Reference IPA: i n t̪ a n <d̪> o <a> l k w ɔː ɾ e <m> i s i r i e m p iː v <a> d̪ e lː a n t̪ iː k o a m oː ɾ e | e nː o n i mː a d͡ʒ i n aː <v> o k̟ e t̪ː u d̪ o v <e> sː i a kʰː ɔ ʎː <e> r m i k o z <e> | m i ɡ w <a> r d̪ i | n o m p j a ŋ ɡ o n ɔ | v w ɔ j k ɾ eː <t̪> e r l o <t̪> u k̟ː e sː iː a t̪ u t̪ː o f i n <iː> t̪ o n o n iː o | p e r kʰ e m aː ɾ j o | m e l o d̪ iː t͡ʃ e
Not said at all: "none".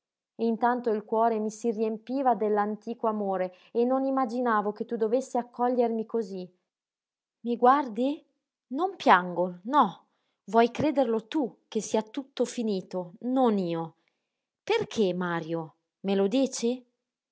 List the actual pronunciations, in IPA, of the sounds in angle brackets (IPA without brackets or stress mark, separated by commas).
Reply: t̪, i, m, a, v, e, e, i, a, d̪, t̪, iː